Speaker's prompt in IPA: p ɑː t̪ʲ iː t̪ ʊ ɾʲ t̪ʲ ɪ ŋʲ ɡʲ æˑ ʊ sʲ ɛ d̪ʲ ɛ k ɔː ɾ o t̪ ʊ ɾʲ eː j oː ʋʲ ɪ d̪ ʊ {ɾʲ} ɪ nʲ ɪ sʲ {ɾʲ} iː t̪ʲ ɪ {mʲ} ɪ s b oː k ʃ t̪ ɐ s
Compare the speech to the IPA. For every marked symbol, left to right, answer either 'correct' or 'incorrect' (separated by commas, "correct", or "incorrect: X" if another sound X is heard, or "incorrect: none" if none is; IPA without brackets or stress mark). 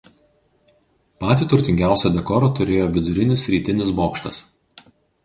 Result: correct, correct, incorrect: nʲ